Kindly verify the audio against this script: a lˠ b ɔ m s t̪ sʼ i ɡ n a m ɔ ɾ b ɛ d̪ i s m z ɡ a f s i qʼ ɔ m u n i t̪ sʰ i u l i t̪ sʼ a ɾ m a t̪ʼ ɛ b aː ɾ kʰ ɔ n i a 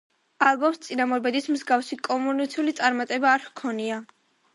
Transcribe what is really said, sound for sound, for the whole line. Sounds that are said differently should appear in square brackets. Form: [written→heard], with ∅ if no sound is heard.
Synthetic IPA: a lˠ b ɔ m s t̪ sʼ i [ɡ→∅] n a m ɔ ɾ b ɛ d̪ i s m z ɡ a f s i [qʼ→kʼ] ɔ m u n i t̪ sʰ i u l i t̪ sʼ a ɾ m a t̪ʼ ɛ b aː ɾ kʰ ɔ n i a